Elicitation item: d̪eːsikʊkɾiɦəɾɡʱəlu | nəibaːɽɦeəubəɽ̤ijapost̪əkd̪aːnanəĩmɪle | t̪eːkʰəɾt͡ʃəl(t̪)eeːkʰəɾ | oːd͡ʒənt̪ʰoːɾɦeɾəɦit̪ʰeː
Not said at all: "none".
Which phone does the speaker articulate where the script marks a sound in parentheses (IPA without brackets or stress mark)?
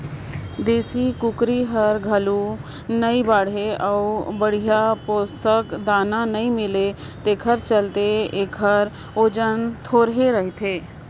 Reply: t̪